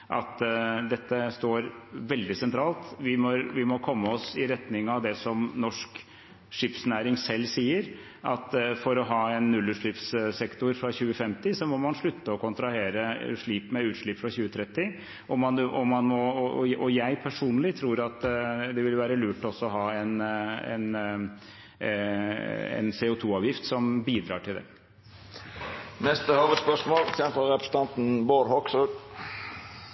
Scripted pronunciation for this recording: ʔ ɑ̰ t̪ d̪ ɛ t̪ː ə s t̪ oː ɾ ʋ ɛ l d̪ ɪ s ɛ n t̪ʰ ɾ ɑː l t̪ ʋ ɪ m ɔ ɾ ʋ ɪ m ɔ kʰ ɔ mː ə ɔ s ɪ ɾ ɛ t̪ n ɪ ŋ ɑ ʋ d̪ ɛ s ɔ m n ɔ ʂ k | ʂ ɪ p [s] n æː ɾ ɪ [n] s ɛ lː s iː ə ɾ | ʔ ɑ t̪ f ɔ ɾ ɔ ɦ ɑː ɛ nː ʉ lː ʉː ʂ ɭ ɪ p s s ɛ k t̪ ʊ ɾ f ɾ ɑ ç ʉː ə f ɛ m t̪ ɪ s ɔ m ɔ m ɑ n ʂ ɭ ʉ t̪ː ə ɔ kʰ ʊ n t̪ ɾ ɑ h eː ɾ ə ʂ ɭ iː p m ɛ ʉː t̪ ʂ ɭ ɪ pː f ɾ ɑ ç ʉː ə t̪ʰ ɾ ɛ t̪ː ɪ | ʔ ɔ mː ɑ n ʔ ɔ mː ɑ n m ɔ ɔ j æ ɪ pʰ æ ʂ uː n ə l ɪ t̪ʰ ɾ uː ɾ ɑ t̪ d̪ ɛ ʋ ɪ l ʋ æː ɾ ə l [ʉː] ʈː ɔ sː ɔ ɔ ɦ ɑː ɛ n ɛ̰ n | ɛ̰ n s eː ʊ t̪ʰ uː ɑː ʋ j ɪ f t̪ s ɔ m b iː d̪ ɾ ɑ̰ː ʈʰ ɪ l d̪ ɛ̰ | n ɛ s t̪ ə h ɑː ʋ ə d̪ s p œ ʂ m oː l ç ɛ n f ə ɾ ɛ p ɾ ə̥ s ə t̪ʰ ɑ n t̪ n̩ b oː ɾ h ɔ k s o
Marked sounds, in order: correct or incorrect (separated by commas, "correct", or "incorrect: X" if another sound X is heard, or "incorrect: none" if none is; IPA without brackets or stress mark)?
correct, incorrect: ŋ, correct